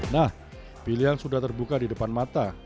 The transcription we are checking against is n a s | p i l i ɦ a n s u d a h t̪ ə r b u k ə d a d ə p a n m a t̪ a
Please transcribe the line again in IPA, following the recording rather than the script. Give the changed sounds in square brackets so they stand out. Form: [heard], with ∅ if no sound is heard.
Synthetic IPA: n a [h] | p i l i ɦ a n s u d a h t̪ ə r b u k [a] d [i] d ə p a n m a t̪ a

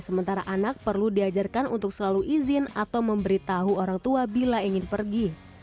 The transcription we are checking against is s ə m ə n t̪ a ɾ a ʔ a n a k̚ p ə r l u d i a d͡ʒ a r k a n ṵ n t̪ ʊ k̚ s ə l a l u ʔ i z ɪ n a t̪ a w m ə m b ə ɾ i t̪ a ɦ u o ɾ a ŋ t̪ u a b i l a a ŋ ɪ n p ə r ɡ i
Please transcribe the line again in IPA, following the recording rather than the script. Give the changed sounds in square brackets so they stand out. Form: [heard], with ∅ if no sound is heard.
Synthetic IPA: s ə m ə n t̪ a ɾ a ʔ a n a k̚ p ə r l u d i a d͡ʒ a r k a n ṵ n t̪ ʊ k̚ s ə l a l u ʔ i z ɪ n a t̪ a w m ə m b ə ɾ i t̪ a ɦ u o ɾ a ŋ t̪ u a b i l a [i] ŋ ɪ n p ə r ɡ i

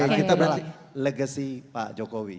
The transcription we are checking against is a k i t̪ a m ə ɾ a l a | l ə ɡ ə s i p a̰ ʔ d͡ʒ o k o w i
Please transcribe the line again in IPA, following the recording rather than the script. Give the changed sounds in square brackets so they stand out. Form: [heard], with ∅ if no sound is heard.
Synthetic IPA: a k i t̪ a [b] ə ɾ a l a | l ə ɡ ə s i p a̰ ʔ d͡ʒ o k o w i

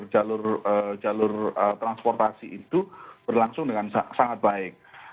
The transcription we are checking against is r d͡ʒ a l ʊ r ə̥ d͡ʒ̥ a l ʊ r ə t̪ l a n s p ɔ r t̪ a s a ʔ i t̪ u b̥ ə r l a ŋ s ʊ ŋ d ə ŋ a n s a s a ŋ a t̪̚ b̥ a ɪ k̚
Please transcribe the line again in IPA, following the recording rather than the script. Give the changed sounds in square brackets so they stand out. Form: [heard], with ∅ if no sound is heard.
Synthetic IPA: r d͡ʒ a l ʊ r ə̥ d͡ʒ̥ a l ʊ r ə t̪ [ɾ] a n s p ɔ r t̪ a s [i] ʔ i t̪ u b̥ ə r l a ŋ s ʊ ŋ d ə ŋ a n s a s a ŋ a t̪̚ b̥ a ɪ k̚

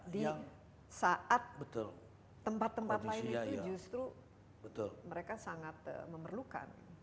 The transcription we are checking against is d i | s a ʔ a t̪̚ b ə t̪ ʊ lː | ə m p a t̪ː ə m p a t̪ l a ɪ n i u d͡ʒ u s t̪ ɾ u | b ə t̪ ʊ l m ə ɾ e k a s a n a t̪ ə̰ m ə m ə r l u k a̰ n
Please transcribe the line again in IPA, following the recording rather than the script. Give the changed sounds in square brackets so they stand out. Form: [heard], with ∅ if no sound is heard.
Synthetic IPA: d i | s a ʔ a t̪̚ b ə t̪ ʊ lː | ə m p a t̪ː ə m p a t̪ l a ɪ n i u d͡ʒ u s t̪ ɾ u | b ə t̪ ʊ l m ə ɾ e k a s a [ŋ] a t̪ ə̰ m ə m ə r l u k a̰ n

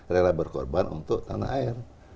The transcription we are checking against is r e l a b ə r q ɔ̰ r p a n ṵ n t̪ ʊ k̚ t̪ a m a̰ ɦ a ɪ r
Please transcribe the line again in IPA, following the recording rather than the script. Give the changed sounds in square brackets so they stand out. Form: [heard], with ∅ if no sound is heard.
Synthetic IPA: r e l a b ə r [k] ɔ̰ r [b] a n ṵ n t̪ ʊ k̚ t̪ a [n] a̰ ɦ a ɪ r

